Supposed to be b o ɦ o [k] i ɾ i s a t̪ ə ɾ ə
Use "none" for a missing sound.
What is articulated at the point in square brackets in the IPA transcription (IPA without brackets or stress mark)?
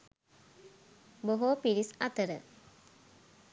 p